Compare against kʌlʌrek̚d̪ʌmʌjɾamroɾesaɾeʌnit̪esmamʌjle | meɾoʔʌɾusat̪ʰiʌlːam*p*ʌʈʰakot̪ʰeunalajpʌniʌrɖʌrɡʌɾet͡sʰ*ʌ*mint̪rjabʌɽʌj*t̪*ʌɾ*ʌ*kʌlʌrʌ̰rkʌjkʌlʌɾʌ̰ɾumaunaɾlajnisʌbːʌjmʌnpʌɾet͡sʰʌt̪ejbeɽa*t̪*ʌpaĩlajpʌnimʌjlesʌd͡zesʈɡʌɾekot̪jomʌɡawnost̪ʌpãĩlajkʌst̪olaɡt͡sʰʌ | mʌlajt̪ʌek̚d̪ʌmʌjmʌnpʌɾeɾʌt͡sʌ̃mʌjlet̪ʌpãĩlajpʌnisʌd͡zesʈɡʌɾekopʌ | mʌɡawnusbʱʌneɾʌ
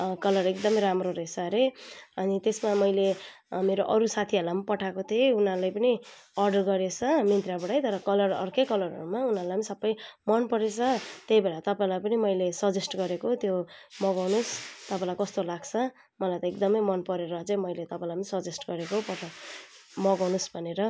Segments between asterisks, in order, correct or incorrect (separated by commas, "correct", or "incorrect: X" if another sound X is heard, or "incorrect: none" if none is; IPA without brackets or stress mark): correct, correct, correct, correct, correct